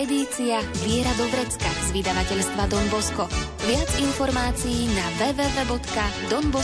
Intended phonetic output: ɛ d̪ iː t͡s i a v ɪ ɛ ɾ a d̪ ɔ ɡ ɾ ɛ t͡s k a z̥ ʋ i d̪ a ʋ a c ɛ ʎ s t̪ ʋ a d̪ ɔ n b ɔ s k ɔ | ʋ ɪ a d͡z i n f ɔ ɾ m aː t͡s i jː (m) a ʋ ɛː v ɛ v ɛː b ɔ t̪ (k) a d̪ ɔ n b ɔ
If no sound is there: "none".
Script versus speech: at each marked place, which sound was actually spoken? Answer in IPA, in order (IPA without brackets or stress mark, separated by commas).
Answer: n, k